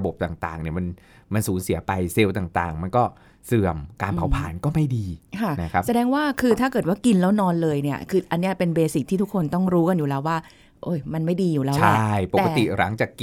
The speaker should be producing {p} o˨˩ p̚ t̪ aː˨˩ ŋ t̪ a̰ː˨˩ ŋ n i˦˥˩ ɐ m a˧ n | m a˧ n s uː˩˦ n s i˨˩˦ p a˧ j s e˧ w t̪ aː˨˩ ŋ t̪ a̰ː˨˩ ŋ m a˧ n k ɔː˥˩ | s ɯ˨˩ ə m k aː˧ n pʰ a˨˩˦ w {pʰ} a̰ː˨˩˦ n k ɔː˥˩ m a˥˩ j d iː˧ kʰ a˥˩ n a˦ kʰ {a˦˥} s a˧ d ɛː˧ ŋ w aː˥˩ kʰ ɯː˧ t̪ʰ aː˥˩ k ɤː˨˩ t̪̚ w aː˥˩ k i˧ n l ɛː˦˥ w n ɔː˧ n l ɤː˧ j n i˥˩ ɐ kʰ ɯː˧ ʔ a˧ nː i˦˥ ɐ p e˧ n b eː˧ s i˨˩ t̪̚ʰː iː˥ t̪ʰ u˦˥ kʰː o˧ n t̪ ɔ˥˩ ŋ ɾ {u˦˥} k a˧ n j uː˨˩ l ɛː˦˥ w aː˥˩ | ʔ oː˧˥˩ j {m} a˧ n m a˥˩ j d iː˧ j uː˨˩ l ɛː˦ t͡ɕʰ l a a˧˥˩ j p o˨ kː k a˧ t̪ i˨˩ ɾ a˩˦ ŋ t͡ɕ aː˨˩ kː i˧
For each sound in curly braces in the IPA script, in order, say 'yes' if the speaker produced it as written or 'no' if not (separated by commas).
no, yes, yes, no, yes